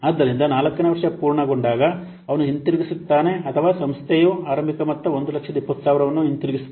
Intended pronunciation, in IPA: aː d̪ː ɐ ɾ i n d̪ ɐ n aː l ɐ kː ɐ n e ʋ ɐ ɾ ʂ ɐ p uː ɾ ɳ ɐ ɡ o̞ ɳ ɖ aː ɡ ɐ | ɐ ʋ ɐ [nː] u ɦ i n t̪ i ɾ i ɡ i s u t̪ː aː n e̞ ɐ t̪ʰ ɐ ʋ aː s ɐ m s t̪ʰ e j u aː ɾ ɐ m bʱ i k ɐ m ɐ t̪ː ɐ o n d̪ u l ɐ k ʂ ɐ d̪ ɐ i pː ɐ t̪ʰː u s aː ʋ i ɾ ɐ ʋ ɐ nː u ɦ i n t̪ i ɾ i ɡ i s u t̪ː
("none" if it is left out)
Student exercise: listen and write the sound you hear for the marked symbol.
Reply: n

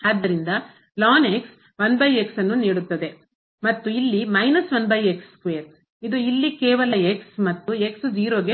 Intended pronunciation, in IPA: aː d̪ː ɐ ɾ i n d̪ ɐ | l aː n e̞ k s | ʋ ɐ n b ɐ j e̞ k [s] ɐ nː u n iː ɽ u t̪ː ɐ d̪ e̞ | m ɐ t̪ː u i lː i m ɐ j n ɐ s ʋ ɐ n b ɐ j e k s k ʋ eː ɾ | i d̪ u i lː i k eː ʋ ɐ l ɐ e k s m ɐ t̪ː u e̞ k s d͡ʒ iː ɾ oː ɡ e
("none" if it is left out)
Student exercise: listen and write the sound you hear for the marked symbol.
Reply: s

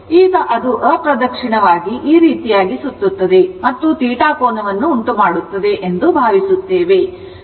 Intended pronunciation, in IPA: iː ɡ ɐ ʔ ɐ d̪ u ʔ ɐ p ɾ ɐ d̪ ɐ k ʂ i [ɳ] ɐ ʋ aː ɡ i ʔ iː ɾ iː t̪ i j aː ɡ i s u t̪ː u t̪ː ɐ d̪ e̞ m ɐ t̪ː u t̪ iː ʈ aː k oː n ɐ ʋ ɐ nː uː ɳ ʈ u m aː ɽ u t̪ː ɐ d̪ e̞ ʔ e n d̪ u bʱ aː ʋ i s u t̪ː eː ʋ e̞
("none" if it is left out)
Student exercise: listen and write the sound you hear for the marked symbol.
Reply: ɳ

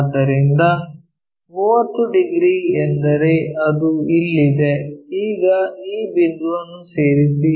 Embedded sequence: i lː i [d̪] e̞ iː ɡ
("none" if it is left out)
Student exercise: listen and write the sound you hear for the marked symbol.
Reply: d̪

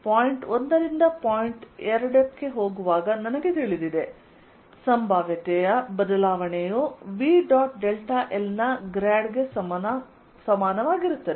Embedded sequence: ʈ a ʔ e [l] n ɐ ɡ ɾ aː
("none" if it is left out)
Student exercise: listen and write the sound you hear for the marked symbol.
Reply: l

